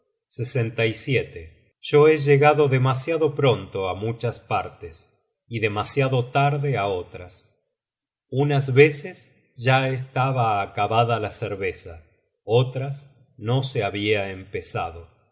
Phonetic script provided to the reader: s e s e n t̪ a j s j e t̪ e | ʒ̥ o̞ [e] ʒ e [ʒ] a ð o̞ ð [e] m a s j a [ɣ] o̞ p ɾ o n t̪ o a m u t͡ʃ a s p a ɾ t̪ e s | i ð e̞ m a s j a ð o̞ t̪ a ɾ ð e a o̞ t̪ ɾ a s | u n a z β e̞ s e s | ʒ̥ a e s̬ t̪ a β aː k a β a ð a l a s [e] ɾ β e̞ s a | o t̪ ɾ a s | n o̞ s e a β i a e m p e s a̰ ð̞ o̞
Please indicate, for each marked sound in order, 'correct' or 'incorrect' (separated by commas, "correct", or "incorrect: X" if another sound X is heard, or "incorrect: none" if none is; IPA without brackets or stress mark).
correct, incorrect: ɣ, correct, incorrect: ð, correct